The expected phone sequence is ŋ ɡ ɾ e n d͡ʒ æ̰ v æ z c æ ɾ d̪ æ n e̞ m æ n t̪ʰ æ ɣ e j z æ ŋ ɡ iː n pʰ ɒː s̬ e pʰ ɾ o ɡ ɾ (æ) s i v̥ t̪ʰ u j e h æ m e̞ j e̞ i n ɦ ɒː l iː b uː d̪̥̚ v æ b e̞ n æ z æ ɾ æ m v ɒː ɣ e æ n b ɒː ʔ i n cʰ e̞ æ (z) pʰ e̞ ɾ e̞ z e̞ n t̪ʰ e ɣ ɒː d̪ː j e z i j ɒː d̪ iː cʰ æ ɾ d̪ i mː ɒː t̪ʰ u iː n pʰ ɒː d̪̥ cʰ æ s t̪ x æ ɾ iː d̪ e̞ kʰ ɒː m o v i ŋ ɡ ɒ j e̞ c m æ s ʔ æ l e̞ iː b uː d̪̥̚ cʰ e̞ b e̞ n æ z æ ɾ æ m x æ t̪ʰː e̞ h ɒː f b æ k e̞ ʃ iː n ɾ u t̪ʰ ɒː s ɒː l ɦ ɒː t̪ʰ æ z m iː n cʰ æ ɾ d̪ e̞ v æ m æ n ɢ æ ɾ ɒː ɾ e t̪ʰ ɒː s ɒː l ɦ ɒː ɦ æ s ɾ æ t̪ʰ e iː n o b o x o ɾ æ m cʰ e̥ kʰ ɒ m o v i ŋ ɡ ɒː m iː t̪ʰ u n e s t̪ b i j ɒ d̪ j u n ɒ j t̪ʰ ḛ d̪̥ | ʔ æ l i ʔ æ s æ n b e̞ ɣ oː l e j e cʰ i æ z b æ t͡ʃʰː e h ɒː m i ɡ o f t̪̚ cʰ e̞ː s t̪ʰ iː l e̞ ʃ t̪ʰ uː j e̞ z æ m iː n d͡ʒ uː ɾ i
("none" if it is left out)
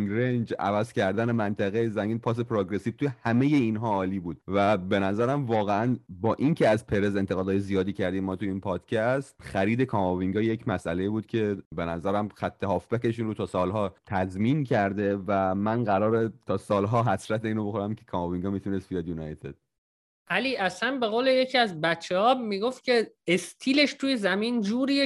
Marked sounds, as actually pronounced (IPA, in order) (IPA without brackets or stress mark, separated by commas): e, z